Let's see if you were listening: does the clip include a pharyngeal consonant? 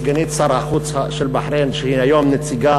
yes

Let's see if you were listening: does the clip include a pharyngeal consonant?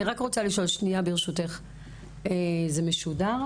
no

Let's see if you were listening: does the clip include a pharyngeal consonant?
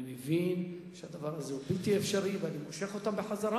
yes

